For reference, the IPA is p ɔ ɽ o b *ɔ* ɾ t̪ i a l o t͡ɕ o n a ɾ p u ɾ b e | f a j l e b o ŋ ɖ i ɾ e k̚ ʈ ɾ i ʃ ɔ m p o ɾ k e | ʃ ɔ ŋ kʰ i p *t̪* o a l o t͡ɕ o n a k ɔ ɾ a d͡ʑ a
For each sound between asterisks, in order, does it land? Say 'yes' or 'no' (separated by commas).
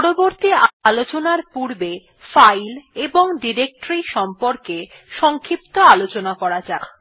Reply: no, yes